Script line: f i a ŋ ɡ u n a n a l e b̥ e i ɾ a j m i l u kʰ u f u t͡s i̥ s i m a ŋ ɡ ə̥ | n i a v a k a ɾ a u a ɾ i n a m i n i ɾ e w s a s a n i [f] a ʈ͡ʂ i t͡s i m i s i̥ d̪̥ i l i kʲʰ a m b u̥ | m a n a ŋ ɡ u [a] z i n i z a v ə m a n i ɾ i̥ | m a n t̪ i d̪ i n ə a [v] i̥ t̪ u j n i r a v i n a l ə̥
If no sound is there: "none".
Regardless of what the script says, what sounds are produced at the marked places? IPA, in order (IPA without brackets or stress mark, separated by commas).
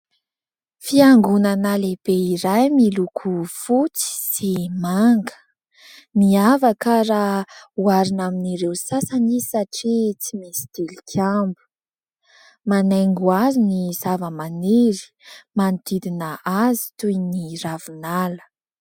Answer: s, a, z